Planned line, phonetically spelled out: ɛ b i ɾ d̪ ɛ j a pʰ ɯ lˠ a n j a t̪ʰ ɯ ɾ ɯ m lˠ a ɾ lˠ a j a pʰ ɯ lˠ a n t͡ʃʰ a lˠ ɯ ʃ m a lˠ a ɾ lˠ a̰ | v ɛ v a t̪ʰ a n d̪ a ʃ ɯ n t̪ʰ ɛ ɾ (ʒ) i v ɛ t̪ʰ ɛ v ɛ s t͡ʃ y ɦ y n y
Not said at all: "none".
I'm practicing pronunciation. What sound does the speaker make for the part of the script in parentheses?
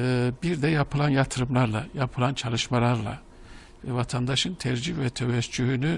d͡ʒ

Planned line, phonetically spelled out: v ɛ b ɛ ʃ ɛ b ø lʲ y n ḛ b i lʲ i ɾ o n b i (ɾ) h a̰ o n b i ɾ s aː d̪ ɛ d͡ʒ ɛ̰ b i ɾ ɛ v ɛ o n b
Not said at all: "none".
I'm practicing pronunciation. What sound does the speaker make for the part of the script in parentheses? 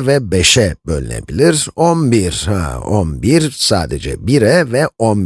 ɾ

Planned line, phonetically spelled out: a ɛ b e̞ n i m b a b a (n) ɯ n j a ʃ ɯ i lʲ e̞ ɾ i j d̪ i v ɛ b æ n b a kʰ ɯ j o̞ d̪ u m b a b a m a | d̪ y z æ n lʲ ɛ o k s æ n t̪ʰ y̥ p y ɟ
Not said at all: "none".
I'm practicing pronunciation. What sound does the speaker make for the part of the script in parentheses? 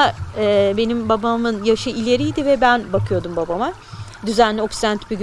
m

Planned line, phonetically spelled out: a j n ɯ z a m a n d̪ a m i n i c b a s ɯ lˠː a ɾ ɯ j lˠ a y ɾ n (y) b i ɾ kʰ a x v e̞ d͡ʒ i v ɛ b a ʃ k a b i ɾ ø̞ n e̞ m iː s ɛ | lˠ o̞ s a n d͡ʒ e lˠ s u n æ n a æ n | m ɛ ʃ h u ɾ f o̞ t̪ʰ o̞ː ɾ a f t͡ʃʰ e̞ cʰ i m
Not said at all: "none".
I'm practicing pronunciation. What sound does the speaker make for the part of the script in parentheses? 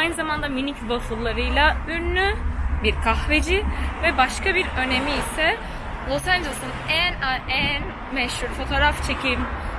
y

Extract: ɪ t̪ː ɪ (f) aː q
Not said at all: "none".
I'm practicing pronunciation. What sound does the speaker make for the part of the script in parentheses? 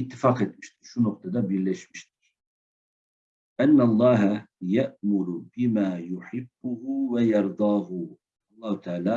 f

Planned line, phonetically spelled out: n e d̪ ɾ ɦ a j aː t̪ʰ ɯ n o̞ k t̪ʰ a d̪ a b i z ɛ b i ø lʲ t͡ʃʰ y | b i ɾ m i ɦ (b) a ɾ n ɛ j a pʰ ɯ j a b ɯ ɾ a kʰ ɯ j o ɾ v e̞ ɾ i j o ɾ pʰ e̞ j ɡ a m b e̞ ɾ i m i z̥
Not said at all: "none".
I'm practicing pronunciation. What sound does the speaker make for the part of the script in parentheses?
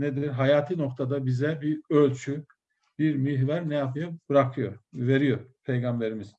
v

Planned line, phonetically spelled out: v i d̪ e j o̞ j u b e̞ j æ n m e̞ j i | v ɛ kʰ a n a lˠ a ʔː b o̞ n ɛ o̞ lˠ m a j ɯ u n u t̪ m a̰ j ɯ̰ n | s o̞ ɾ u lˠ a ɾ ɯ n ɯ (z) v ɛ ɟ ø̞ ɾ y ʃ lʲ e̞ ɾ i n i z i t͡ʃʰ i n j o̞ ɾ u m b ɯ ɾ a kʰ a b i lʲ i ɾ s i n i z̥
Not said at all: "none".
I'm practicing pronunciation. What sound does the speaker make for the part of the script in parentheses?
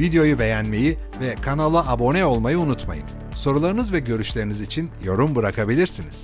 z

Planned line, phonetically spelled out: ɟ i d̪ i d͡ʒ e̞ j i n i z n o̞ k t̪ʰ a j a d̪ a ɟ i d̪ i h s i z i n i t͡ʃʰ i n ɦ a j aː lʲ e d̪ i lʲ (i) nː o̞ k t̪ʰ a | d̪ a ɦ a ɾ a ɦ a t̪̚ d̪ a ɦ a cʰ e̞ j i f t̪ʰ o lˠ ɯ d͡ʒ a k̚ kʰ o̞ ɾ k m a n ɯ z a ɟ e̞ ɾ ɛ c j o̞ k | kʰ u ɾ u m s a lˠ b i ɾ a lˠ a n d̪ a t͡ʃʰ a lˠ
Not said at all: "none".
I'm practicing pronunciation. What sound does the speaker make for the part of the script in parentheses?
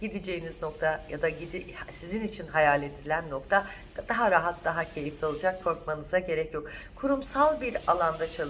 æ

